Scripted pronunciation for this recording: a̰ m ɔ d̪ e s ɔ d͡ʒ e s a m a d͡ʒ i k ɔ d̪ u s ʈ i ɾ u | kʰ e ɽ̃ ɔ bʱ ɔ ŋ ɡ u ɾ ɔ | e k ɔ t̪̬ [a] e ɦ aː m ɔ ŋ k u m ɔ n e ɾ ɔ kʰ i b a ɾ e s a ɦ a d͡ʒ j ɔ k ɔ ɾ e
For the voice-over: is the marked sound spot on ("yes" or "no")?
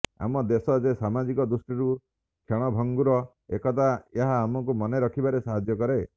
yes